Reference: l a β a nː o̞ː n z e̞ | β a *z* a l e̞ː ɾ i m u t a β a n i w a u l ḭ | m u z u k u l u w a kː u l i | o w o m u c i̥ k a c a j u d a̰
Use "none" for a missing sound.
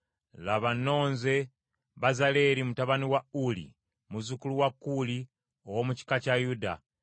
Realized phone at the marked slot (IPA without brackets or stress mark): z